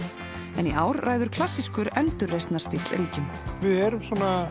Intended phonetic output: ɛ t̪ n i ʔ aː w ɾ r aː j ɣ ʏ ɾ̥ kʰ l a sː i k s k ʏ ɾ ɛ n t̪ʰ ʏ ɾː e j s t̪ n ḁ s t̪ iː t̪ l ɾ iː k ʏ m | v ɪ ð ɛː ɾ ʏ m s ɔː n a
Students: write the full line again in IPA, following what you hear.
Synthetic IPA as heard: ɛ n i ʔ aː w ɾ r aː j ð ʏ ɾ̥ kʰ l a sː i s k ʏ ɾ ɛ n t̪ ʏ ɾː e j s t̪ n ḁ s t̪ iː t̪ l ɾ iː c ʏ m | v ɪ ð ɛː ɾ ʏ m s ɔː n a